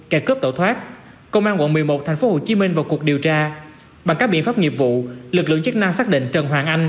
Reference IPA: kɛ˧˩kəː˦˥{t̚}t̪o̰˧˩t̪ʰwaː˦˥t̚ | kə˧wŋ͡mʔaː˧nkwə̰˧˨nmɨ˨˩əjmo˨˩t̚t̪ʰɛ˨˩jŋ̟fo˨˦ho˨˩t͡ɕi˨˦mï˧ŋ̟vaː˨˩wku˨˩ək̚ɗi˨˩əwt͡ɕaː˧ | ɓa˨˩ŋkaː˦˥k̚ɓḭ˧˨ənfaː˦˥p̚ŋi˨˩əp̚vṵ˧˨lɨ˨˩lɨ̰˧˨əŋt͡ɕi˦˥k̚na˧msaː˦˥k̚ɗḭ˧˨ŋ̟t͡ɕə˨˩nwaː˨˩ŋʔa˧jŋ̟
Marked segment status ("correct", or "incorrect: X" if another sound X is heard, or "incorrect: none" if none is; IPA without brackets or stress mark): incorrect: p̚